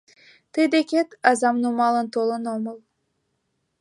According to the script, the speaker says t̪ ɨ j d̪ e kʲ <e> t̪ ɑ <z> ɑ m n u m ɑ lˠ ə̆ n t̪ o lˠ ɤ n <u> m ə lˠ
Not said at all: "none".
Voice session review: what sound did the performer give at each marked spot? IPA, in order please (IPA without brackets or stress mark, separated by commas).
e, z, o